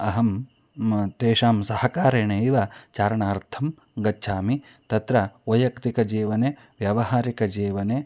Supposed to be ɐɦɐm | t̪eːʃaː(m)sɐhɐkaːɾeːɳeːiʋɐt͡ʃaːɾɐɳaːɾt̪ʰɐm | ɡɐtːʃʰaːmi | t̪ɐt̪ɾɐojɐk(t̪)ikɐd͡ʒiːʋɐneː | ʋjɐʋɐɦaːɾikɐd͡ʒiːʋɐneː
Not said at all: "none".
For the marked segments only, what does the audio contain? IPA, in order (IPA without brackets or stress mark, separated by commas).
m, t̪